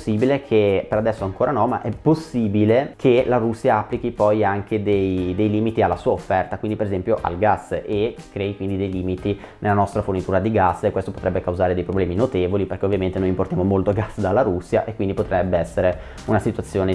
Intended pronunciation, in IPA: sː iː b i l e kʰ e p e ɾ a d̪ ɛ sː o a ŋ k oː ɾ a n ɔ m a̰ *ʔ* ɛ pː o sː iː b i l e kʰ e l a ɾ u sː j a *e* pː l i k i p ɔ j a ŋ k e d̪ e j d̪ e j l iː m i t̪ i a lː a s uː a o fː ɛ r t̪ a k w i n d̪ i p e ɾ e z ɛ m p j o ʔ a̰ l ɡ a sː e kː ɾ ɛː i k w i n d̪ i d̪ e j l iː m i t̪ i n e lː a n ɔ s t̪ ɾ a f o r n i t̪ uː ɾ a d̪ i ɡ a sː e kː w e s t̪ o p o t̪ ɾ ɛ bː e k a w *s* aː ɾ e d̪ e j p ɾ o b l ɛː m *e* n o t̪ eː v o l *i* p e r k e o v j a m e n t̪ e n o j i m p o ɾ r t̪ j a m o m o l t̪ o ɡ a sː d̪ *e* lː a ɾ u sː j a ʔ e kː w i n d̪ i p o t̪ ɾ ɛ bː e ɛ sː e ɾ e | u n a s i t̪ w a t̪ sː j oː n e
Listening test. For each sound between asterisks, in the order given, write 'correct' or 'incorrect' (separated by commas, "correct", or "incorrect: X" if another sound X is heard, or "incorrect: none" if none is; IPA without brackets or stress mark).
correct, incorrect: a, incorrect: z, incorrect: i, correct, incorrect: a